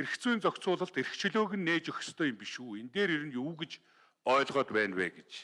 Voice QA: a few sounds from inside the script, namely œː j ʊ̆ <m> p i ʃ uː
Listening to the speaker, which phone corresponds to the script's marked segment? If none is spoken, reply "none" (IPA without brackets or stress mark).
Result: m